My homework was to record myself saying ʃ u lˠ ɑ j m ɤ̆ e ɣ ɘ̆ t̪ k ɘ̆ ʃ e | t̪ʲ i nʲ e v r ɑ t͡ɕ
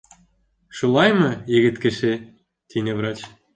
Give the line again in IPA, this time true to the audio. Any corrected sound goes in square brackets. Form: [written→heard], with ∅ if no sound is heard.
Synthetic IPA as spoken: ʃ u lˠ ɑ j m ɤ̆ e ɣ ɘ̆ t̪ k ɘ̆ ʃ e | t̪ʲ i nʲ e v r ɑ t͡ɕ